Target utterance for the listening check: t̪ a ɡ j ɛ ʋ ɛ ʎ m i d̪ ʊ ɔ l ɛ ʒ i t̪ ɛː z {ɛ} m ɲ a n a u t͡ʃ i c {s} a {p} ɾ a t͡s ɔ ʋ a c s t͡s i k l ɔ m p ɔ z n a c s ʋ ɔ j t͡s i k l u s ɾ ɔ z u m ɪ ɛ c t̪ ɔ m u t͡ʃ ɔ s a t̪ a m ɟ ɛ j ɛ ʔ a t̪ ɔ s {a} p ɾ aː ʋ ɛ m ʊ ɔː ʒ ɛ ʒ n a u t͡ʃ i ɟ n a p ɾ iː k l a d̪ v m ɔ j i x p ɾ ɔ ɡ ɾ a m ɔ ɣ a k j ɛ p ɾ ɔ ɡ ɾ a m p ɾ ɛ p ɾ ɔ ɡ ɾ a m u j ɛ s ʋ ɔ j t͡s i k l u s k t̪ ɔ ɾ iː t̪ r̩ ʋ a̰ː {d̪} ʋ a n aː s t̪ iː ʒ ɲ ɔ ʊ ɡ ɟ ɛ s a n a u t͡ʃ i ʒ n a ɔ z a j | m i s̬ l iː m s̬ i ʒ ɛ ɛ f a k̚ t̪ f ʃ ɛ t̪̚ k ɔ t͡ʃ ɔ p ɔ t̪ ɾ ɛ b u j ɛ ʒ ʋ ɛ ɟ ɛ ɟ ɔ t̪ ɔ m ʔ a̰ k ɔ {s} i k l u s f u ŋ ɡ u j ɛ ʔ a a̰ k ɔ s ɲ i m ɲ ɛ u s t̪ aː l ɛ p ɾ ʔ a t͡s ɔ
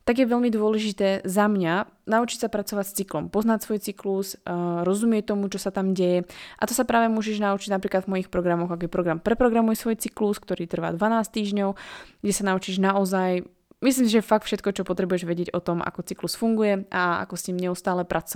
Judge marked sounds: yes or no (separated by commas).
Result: no, yes, yes, yes, yes, no